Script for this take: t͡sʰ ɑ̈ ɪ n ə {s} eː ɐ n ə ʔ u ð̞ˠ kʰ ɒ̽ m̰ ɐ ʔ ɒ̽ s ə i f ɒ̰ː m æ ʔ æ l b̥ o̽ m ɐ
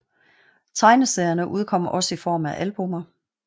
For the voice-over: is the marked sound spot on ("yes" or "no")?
yes